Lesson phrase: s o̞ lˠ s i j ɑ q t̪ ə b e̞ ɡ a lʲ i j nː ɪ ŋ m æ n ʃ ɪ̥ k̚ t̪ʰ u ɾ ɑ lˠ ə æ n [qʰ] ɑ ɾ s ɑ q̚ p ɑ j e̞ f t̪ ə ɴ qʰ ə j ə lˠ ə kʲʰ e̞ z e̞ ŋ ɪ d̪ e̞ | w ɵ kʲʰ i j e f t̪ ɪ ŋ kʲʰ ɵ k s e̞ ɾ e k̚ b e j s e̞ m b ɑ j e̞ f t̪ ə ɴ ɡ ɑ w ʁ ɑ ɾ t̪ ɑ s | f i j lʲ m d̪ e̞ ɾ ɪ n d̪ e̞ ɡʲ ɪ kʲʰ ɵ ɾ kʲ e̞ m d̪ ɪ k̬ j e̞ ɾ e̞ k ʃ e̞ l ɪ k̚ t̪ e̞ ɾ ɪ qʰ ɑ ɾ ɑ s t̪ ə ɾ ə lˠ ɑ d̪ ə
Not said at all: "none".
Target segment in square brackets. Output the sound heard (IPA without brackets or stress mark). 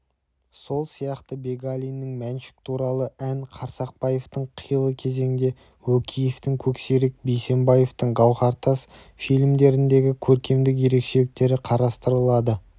qʰ